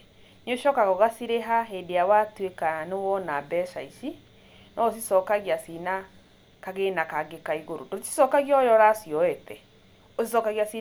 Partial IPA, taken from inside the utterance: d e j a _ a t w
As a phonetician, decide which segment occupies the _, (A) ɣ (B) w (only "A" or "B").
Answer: B